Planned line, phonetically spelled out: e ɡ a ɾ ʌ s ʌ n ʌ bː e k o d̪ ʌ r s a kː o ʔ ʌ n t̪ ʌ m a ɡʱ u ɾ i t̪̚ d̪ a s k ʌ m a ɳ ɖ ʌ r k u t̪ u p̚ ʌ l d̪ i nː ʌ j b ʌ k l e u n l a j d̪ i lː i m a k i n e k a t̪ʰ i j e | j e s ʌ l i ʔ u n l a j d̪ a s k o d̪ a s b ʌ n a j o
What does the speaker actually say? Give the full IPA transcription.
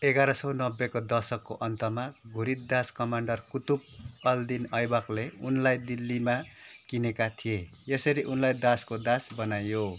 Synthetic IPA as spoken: e ɡ a ɾ ʌ s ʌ n ʌ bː e k o d̪ ʌ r s ʌ kː o ʔ ʌ n t̪ ʌ m a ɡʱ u ɾ i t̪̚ d̪ a s k ʌ m a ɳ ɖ ʌ r k u t̪ u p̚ ʌ l d̪ i n ʌ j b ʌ k l e u n l a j d̪ i lː i m a k i n e k a t̪ʰ i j e | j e s ʌ ɾ i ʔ u n l a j d̪ a s k o d̪ a s b ʌ n a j o